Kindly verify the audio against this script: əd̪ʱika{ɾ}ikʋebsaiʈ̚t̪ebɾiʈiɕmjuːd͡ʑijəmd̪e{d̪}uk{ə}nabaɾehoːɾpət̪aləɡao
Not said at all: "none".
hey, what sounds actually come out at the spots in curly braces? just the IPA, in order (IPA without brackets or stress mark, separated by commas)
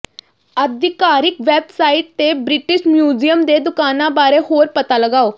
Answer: ɾ, d̪, a